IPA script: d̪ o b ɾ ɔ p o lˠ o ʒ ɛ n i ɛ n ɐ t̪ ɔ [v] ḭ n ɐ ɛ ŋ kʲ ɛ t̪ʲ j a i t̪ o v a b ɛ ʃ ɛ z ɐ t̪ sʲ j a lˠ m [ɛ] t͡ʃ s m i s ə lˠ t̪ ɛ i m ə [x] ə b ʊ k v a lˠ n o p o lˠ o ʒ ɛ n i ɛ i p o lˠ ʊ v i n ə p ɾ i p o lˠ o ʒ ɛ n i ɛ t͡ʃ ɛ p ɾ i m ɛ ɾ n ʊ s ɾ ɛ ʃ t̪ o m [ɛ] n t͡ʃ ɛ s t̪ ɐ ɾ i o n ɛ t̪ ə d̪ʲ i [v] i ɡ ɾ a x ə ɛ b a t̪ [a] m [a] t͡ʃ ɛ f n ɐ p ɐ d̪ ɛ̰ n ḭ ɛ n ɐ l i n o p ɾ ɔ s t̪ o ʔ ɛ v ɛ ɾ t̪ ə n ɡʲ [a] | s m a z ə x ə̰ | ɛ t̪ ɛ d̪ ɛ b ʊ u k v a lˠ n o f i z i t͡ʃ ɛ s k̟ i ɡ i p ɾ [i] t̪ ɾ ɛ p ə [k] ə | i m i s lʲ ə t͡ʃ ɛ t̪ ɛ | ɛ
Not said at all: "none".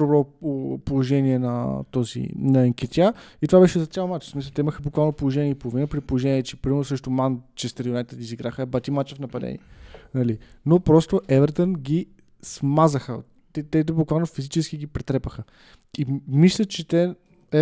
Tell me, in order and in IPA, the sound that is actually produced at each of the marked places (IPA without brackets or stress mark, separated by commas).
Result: z, a, x, a, z, i, a, i, ɛ, x